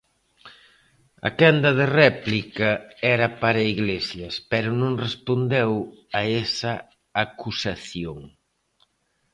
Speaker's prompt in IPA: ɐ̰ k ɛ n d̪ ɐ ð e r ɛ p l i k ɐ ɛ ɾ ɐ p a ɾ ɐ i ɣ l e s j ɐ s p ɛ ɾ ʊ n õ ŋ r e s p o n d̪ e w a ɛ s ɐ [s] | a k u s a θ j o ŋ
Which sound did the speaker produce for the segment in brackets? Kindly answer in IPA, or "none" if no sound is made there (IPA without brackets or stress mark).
none